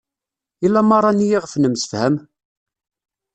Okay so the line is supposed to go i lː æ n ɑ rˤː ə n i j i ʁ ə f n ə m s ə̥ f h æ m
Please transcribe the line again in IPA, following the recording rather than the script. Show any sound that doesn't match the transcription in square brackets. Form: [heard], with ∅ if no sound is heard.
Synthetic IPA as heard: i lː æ [m] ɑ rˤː [ɑ] n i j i ʁ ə f n ə m s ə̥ f h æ m